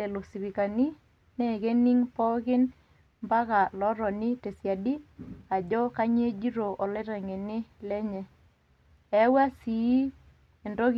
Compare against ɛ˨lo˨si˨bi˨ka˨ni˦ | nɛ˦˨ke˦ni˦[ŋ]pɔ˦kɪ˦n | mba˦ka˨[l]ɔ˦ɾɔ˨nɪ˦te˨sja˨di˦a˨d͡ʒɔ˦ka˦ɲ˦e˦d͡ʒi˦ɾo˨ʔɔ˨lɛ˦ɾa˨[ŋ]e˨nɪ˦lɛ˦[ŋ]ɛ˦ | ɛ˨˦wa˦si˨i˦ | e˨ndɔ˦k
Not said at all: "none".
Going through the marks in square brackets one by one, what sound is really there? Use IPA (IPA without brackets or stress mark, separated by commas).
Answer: ŋ, l, ŋ, ɲ